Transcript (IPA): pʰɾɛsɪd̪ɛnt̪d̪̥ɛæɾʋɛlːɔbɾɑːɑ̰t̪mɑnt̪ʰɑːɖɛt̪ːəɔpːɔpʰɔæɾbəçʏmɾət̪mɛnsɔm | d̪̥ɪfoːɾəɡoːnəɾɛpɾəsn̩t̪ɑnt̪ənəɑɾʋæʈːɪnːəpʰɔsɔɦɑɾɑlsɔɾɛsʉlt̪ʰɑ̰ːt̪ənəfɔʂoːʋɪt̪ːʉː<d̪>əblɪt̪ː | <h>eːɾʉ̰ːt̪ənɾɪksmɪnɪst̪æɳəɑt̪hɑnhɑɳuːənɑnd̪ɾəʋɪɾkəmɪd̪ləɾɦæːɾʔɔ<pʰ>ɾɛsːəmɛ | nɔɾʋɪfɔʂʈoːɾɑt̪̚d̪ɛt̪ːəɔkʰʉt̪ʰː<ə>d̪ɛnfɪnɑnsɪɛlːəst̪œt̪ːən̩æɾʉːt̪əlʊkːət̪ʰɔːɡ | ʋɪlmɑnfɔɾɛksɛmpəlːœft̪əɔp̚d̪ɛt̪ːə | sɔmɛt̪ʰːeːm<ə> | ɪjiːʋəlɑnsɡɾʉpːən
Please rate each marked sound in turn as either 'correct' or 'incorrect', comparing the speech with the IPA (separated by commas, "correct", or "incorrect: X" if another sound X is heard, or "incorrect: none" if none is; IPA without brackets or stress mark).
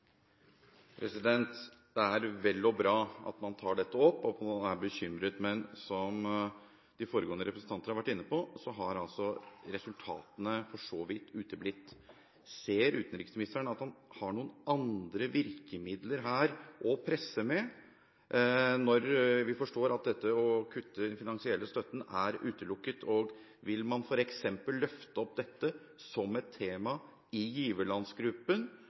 incorrect: t̪, incorrect: s, correct, correct, incorrect: ɑ